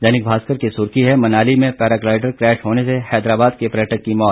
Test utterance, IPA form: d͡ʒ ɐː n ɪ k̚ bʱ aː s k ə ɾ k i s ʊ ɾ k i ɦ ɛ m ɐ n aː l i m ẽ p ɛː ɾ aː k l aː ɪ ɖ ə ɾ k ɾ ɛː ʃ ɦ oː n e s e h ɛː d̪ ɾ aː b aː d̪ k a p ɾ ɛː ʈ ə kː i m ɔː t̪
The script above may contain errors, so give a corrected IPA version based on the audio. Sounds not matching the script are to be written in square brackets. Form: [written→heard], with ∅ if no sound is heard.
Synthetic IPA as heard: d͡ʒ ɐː n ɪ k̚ bʱ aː s k ə ɾ k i s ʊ ɾ k i ɦ ɛ m ɐ n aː l i m ẽ p ɛː ɾ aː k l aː ɪ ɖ ə ɾ k ɾ ɛː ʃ ɦ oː n e s e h ɛː d̪ ɾ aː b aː d̪ k [a→e] p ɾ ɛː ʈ ə kː i m ɔː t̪